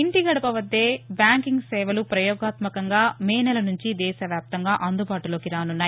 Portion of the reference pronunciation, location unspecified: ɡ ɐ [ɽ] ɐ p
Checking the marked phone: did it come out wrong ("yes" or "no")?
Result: no